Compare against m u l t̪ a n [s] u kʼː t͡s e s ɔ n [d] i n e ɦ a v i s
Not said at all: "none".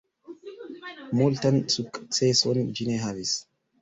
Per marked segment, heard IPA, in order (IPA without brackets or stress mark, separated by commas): s, d͡ʒ